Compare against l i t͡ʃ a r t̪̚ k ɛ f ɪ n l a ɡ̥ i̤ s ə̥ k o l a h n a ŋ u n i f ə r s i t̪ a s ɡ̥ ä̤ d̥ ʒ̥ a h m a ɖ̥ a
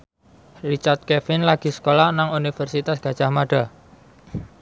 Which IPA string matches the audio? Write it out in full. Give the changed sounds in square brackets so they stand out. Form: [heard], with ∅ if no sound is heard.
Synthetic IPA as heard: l i t͡ʃ a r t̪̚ k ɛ f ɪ n l a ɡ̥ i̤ s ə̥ k o l a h n a ŋ u n i f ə r s i t̪ a s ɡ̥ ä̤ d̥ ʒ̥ a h m a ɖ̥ a